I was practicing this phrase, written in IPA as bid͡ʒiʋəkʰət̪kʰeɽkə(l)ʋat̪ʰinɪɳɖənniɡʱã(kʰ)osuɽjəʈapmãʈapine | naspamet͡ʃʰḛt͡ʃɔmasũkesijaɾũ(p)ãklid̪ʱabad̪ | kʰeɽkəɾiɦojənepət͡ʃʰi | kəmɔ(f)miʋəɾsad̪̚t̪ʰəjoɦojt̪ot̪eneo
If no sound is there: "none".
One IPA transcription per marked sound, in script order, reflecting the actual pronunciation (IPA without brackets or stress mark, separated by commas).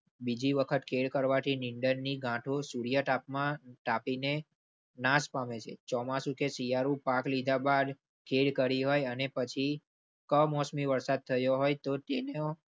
ɾ, ʈʰ, p, s